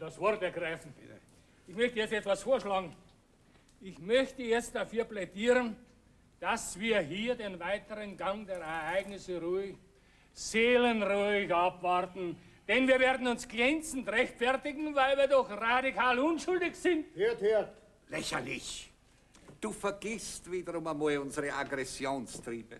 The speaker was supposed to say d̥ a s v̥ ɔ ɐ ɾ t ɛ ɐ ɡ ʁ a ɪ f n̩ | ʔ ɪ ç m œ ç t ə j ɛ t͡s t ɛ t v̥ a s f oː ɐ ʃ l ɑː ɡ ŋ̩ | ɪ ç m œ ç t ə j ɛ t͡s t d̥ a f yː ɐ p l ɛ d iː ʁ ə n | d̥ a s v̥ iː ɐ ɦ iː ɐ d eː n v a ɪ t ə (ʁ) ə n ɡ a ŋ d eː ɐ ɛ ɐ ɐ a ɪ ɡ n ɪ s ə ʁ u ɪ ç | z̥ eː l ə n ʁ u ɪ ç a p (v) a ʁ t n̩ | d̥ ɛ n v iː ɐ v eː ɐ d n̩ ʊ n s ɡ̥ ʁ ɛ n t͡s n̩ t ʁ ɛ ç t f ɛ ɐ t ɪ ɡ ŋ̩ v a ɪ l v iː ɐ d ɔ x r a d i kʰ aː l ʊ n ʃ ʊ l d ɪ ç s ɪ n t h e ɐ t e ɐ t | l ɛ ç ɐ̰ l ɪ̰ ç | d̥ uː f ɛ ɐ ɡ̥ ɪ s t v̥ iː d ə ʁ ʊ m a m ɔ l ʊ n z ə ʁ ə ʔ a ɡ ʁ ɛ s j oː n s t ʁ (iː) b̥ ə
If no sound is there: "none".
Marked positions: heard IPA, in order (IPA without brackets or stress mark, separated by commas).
ʁ, v, iː